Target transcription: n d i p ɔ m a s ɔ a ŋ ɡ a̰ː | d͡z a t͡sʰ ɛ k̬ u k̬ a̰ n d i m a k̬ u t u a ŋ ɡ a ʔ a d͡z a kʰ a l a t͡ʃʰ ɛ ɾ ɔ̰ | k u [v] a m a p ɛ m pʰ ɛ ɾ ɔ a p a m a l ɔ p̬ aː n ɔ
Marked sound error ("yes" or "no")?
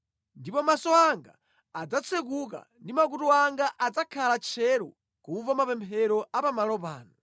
no